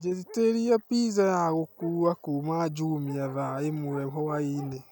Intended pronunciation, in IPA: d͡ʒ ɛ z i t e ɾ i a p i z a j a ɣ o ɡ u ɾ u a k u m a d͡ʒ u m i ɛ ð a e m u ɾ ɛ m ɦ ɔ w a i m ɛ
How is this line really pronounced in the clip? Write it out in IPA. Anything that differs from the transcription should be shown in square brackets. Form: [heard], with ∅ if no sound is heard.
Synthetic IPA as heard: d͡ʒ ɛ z i t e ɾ i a p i z a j a ɣ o [k] u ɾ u a k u m a d͡ʒ u m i [a] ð a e m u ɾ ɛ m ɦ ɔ w a i [n] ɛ